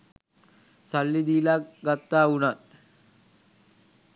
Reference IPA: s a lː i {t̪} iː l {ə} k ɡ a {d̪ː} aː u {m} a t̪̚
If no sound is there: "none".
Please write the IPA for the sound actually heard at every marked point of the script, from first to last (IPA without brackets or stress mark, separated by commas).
d̪, a, t̪ː, n